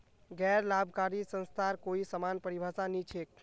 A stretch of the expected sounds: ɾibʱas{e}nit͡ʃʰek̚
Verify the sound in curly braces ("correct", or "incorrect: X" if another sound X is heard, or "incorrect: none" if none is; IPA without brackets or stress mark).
incorrect: a